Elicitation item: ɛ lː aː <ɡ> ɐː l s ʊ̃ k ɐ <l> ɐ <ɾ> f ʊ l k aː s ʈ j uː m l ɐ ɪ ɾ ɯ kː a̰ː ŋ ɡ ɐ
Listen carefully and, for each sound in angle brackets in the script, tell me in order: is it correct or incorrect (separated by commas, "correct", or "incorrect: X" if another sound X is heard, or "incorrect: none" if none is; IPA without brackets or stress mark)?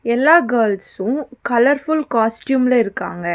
correct, correct, correct